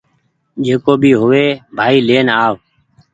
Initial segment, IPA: d͡ʒ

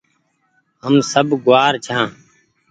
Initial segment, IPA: ɦ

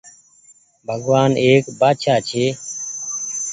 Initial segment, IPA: bʱ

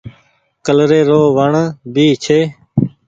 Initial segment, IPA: k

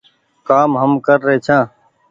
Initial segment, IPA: k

